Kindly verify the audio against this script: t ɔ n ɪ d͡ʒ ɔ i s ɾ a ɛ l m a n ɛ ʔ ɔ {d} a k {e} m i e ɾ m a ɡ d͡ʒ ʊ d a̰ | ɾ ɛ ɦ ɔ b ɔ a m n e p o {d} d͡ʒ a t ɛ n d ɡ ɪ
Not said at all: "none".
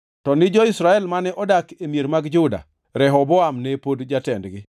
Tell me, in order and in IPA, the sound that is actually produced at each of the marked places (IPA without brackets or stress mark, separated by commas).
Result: d, e, d